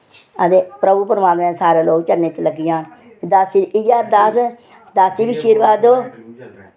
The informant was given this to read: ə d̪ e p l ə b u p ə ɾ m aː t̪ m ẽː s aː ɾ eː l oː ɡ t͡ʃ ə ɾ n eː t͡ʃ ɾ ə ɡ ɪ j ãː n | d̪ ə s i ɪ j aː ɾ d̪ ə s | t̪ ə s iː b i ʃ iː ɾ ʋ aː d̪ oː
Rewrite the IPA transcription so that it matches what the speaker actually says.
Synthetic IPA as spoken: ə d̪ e p ɾ ə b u p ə ɾ m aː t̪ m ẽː s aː ɾ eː l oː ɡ t͡ʃ ə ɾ n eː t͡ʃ l ə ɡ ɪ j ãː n | d̪ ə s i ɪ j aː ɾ d̪ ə s | d̪ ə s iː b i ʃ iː ɾ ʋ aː d̪ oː

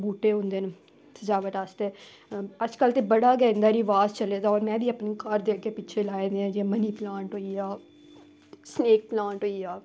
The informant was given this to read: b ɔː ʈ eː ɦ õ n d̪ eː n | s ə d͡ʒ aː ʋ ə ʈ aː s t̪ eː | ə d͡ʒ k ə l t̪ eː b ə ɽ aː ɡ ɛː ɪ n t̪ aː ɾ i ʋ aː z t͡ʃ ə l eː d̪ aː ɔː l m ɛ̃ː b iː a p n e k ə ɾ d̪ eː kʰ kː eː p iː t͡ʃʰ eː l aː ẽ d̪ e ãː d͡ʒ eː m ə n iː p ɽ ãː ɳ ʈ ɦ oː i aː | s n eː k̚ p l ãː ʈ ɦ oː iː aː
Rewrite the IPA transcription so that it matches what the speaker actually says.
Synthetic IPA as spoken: b uː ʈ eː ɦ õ n d̪ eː n | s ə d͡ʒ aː ʋ ə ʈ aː s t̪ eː | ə d͡ʒ k ə l t̪ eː b ə ɽ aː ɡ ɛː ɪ n d̪ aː ɾ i ʋ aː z t͡ʃ ə l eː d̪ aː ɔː ɾ m ɛ̃ː b iː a p n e k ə ɾ d̪ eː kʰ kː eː p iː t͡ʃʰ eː l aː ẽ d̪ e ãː d͡ʒ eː m ə n iː p l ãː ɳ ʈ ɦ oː i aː | s n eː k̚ p l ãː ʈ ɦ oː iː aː

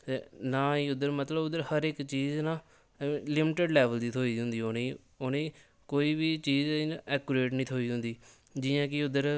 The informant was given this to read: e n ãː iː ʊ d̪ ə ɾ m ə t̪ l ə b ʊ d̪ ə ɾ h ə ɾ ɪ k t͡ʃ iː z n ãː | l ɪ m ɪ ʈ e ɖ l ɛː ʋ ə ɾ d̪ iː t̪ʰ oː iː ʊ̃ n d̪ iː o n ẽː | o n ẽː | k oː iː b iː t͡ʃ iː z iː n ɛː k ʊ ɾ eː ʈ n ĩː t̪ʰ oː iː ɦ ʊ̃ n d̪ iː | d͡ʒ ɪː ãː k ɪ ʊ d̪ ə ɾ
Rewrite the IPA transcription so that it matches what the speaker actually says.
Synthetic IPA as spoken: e n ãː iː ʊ d̪ ə ɾ m ə t̪ l ə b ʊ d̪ ə ɾ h ə ɾ ɪ k t͡ʃ iː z n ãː | l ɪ m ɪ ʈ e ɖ l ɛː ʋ ə l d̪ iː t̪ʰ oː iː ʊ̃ n d̪ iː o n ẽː | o n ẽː | k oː iː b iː t͡ʃ iː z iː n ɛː k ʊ ɾ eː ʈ n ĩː t̪ʰ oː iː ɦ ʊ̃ n d̪ iː | d͡ʒ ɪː ãː k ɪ ʊ d̪ ə ɾ

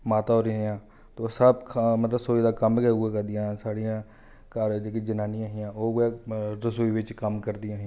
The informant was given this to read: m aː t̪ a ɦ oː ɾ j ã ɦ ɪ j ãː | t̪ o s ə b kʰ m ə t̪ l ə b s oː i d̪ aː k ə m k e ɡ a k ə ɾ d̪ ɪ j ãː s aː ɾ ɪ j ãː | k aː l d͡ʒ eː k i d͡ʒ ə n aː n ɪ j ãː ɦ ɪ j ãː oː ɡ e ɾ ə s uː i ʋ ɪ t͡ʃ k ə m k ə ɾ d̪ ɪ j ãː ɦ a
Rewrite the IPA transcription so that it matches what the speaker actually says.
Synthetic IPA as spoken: m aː t̪ a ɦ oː ɾ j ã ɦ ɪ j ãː | t̪ o s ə b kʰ m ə t̪ l ə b s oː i d̪ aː k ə m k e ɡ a k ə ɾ d̪ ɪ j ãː s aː ɽ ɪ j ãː | k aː ɾ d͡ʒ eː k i d͡ʒ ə n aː n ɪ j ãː ɦ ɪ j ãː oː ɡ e ɾ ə s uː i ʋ ɪ t͡ʃ k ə m k ə ɾ d̪ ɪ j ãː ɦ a

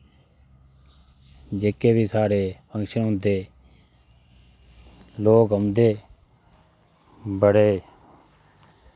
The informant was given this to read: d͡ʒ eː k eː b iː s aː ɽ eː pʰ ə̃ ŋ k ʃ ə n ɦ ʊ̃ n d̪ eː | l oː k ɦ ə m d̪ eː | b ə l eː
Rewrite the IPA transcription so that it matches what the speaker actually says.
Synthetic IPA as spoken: d͡ʒ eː k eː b iː s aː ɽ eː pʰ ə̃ ŋ k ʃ ə n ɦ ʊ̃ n d̪ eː | l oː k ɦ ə m d̪ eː | b ə ɽ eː

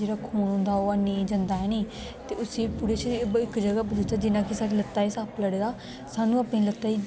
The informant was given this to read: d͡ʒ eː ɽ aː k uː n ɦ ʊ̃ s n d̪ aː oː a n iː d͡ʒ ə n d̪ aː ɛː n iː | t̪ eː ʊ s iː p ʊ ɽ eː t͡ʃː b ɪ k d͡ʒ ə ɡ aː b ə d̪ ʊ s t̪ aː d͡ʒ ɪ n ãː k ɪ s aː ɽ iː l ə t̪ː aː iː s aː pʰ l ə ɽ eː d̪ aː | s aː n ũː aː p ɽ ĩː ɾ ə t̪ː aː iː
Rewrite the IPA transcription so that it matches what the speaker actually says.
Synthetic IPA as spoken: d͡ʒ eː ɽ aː kʰ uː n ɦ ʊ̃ n d̪ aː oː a n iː d͡ʒ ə n d̪ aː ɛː n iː | t̪ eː ʊ s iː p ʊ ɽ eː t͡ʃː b ɪ k d͡ʒ ə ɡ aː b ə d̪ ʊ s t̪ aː d͡ʒ ɪ n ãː k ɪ s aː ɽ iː l ə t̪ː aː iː s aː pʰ l ə ɽ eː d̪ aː | s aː n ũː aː p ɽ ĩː l ə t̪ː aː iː

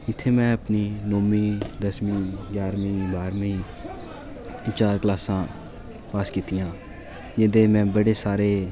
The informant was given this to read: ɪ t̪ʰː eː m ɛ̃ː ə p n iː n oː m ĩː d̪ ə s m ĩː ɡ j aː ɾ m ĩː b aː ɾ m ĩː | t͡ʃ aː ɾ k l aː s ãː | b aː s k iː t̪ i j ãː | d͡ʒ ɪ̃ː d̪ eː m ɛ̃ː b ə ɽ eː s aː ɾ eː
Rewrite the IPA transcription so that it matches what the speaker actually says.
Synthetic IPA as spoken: ɪ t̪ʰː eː m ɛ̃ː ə p n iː n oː m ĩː d̪ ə s m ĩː ɡ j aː ɾ m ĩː b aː ɾ m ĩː | t͡ʃ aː ɾ k l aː s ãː | p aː s k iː t̪ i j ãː | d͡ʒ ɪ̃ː d̪ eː m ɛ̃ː b ə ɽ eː s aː ɾ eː

